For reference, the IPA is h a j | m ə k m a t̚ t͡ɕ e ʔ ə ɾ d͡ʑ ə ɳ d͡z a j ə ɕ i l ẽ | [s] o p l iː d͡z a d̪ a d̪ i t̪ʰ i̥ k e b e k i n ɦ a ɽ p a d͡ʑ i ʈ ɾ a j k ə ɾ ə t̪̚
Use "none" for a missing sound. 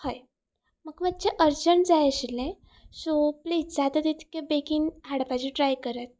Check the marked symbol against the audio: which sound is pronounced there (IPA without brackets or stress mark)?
s